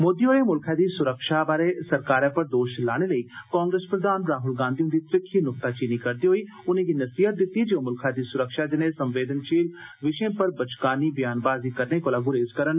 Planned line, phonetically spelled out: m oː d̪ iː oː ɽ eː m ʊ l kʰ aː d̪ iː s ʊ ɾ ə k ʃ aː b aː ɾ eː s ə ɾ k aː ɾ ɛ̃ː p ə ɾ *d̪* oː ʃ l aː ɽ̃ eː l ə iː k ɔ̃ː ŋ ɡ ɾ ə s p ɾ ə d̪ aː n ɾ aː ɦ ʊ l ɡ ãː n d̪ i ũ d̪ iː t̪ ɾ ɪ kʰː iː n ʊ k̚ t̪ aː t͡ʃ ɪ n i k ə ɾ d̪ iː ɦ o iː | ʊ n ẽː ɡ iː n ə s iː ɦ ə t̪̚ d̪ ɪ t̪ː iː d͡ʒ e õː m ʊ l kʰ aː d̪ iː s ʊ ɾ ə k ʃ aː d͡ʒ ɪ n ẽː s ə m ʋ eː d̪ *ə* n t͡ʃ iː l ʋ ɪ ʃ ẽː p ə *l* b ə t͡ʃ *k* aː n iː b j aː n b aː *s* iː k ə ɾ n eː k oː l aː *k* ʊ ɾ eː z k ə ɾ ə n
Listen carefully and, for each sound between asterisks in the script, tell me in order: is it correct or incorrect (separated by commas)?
correct, correct, incorrect, correct, incorrect, incorrect